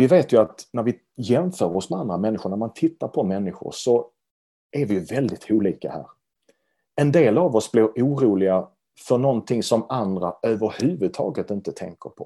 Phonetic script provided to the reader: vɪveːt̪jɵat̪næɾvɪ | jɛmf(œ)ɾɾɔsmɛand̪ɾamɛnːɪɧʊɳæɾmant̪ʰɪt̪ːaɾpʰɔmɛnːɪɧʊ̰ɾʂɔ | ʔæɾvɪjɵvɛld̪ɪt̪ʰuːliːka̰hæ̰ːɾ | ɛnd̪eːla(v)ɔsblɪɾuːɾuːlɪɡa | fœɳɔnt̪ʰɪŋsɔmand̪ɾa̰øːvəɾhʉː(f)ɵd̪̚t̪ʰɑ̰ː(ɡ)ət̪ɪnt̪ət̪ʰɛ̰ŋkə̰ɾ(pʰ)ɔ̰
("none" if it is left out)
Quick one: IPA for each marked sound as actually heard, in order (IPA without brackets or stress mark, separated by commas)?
œː, v, v, ɡ, pʰ